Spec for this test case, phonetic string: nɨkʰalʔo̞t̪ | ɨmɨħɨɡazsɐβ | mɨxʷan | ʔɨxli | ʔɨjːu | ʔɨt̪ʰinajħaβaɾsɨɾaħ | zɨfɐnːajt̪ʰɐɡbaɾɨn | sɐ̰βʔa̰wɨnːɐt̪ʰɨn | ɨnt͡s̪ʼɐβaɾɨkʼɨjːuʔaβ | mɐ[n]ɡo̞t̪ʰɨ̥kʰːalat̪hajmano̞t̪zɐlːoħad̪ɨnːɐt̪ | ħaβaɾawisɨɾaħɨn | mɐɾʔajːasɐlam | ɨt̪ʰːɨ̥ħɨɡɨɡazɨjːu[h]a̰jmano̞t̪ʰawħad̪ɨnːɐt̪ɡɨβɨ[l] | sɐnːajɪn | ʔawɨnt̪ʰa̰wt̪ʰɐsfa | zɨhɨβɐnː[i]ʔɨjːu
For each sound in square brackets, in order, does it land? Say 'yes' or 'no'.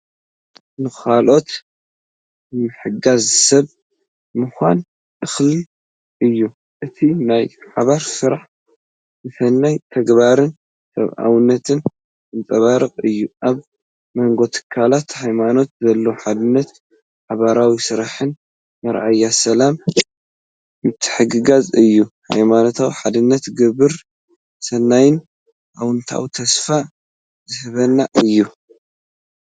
no, yes, no, no

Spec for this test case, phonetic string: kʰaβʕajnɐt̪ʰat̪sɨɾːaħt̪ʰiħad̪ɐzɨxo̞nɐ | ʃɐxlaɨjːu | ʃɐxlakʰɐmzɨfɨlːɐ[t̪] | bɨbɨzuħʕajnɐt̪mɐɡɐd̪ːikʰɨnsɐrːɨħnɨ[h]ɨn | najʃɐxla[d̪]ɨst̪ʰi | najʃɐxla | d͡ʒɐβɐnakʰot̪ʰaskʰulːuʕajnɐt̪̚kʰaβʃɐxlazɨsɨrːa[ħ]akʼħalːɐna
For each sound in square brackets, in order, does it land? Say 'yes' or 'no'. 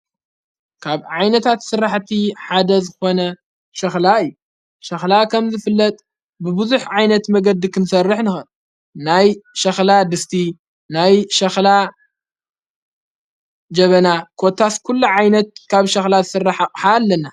no, no, yes, yes

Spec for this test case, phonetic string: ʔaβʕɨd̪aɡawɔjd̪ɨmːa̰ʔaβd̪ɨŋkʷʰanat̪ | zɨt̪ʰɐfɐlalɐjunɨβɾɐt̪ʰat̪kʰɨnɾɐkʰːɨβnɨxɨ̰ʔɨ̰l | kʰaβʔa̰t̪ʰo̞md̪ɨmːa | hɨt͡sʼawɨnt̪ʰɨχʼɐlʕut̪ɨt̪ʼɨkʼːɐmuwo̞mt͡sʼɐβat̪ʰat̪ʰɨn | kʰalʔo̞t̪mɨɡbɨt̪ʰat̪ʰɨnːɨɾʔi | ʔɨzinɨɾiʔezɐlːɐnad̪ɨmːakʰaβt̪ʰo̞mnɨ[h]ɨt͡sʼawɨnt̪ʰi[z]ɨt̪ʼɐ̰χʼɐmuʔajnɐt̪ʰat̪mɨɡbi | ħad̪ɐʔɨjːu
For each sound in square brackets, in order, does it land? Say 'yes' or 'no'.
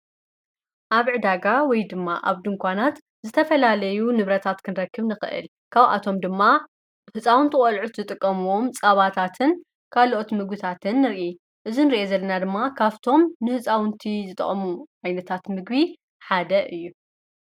yes, yes

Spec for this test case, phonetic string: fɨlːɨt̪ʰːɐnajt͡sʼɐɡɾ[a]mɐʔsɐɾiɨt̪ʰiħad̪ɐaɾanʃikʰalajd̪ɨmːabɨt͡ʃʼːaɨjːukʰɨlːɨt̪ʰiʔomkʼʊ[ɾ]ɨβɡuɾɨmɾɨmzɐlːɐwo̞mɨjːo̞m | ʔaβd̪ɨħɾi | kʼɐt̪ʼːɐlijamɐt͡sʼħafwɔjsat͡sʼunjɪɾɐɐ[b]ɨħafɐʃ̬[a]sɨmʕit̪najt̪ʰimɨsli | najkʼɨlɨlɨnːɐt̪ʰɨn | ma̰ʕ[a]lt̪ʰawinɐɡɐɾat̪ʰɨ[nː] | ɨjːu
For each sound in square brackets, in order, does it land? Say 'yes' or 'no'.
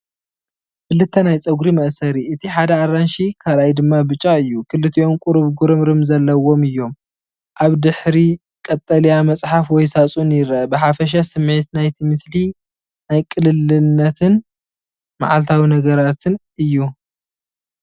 no, yes, yes, yes, yes, no

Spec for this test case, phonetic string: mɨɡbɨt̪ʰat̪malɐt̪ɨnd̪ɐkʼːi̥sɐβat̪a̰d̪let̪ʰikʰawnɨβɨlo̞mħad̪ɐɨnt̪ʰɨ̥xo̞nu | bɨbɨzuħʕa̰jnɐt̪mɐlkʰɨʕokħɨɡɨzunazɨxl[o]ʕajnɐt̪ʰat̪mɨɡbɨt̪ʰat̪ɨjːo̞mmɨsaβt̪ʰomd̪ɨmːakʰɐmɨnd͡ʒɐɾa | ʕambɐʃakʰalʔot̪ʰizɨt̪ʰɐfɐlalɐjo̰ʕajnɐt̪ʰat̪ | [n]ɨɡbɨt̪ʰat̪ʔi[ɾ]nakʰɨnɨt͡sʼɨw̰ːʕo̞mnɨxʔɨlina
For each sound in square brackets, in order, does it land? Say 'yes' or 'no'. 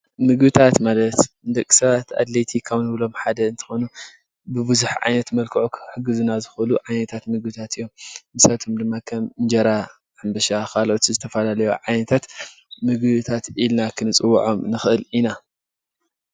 no, no, no

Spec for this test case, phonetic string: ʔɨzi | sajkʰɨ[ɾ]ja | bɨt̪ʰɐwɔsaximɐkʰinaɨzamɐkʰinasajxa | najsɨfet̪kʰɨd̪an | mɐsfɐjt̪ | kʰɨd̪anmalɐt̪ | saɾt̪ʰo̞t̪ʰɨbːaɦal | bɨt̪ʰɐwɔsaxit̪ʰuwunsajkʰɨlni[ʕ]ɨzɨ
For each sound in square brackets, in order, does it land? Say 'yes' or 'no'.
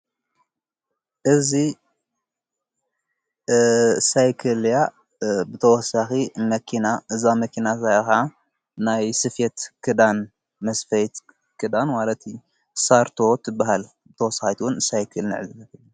no, yes

